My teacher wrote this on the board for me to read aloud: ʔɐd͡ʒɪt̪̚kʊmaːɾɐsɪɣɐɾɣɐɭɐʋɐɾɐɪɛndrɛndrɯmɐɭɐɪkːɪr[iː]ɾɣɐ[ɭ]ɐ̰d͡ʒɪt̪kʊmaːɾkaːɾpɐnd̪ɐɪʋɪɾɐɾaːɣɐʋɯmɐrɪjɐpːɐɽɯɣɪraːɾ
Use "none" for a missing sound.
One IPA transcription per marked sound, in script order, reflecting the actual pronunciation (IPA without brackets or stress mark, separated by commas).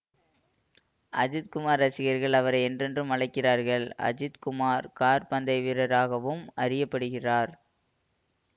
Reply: aː, ɭ